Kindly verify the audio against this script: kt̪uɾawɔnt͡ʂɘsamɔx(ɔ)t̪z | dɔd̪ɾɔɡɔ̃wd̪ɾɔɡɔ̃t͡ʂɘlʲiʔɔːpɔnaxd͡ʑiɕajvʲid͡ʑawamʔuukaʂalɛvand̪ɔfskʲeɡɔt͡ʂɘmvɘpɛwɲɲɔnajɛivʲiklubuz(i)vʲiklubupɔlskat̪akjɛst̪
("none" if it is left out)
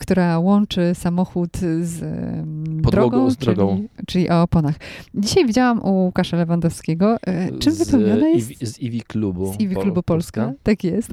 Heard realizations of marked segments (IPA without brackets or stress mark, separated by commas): u, i